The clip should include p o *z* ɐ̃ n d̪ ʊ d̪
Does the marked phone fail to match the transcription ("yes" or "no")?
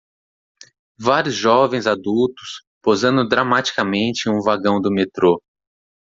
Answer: no